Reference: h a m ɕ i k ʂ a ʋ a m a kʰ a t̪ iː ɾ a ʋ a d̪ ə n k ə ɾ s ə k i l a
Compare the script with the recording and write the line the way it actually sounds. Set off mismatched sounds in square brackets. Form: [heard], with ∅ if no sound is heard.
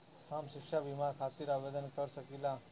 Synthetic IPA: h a m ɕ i k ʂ a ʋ [i] m a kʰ a t̪ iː ɾ a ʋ [e] d̪ ə n k ə ɾ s ə k i l a